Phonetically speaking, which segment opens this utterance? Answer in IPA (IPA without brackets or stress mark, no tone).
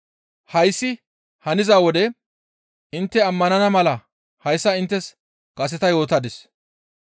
h